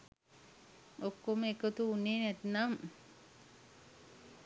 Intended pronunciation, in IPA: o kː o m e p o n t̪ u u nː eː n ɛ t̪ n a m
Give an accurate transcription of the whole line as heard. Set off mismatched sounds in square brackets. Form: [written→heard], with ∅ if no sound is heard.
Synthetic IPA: o kː o m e [p→k] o [n→∅] t̪ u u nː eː n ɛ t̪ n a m